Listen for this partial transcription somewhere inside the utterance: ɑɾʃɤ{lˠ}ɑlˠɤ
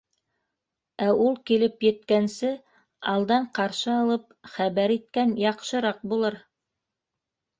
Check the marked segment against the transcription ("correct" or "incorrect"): incorrect